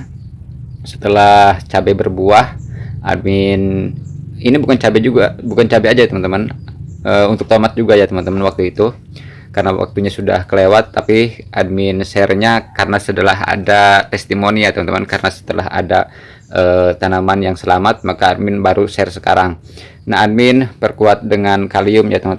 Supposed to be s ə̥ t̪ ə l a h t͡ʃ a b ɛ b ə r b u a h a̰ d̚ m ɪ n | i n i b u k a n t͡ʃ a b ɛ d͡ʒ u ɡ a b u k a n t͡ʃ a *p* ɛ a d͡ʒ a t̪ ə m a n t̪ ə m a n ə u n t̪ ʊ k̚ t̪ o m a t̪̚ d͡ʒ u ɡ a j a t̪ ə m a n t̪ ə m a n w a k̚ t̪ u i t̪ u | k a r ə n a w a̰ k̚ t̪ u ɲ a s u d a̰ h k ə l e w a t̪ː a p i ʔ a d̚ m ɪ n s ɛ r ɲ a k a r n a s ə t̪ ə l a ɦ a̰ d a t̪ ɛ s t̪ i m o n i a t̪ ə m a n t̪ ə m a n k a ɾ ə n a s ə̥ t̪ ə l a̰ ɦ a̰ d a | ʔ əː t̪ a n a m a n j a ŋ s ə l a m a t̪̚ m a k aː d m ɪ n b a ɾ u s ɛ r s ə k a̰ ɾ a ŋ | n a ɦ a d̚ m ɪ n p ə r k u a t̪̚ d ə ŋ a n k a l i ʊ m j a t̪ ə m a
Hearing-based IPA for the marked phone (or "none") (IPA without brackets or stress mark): b